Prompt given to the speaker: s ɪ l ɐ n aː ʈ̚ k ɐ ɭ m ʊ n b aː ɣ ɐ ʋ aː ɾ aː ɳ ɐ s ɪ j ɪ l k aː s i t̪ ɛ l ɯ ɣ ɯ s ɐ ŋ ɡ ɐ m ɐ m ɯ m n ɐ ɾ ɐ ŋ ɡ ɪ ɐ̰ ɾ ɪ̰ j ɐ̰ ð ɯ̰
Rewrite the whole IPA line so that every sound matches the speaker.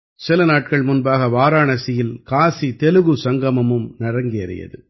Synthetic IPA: s ɪ l ɐ n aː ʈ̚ k ɐ ɭ m ʊ n b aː ɣ ɐ ʋ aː ɾ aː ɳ ɐ s ɪ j ɪ l k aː s i t̪ ɛ l ɯ ɣ ɯ s ɐ ŋ ɡ ɐ m ɐ m ɯ m n ɐ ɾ ɐ ŋ ɡ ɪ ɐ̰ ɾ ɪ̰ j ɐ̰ ð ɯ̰

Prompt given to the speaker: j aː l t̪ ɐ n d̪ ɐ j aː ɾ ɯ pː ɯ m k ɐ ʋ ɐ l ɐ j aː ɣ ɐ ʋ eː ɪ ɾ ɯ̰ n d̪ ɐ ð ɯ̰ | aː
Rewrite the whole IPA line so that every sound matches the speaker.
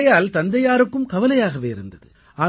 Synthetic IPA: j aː l t̪ ɐ n d̪ ɐ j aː ɾ ɯ kː ɯ m k ɐ ʋ ɐ l ɐ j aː ɣ ɐ ʋ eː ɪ ɾ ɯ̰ n d̪ ɐ ð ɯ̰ | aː

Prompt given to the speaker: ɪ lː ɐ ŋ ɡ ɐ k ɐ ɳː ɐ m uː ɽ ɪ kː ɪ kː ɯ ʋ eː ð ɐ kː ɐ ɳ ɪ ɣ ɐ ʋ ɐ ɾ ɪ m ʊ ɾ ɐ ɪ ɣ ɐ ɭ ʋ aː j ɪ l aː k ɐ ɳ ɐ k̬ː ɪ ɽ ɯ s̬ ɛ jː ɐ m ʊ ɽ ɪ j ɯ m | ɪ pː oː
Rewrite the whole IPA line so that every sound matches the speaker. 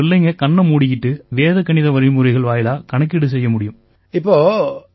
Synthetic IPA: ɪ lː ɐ ŋ ɡ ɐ k ɐ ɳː ɐ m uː ɽ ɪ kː ɪ ʈː ɯ ʋ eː ð ɐ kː ɐ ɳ ɪ ð ɐ ʋ ɐ ɾ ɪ m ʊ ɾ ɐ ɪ ɣ ɐ ɭ ʋ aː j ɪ l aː k ɐ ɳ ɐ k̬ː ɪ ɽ ɯ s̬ ɛ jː ɐ m ʊ ɽ ɪ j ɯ m | ɪ pː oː

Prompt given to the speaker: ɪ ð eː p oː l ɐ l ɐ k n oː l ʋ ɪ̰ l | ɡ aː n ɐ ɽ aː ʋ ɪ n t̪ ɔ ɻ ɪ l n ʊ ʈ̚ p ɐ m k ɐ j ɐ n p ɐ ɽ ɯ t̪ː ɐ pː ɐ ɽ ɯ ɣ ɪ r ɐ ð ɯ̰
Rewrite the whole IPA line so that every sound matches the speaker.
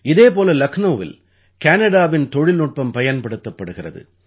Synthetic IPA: ɪ ð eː p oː l ɐ l ɐ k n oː ʋ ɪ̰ l | k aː n ɐ ɽ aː ʋ ɪ n t̪ ɔ ɻ ɪ l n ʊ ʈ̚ p ɐ m p ɐ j ɐ n p ɐ ɽ ɯ t̪ː ɐ pː ɐ ɽ ɯ ɣ ɪ r ɐ ð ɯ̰

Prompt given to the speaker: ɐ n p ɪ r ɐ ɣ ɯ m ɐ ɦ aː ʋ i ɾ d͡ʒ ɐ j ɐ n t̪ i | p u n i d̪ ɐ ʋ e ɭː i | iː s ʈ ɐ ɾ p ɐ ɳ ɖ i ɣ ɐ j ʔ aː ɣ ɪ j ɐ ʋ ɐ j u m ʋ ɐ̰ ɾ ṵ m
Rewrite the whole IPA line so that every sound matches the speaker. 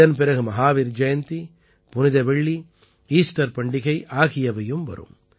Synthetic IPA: ɐ n p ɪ ɾ ɐ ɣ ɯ m ɐ ɦ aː ʋ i ɾ d͡ʒ ɐ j ɐ n t̪ i | p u n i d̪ ɐ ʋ e ɭː i | iː s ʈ ɐ ɾ p ɐ ɳ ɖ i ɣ ɐ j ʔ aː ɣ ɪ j ɐ ʋ ɐ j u m ʋ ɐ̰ ɾ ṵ m

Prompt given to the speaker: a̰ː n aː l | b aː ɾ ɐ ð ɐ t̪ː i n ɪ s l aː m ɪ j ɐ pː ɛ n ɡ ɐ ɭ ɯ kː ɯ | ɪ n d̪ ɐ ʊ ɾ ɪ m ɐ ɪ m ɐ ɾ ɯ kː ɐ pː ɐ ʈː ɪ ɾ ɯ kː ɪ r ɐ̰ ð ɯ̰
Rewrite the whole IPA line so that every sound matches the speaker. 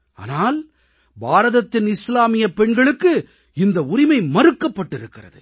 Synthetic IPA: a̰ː n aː l | b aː ɾ ɐ ð ɐ t̪ː ɪ n ɪ s l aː m ɪ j ɐ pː ɛ ɳ ɡ ɐ ɭ ɯ kː ɯ | ɪ n d̪ ɐ ʊ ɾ ɪ m ɐ ɪ m ɐ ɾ ɯ kː ɐ pː ɐ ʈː ɪ ɾ ɯ kː ɪ r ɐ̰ ð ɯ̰

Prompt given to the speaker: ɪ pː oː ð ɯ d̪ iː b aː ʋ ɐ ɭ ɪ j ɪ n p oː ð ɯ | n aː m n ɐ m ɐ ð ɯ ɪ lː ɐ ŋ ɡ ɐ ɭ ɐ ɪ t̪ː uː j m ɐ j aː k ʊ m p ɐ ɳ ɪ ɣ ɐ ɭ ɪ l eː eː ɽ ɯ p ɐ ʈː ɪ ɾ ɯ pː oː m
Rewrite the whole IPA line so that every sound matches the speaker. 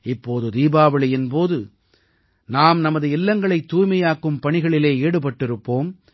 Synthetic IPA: ɪ pː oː ð ɯ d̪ iː b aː ʋ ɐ ɭ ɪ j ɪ n p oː ð ɯ | n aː m n ɐ m ɐ ð ɯ ɪ lː ɐ ŋ ɡ ɐ ɭ ɐ ɪ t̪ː uː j m ɐ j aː k ɯ m p ɐ ɳ ɪ ɣ ɐ ɭ ɪ l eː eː ɽ ɯ p ɐ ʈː ɪ ɾ ɯ pː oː m

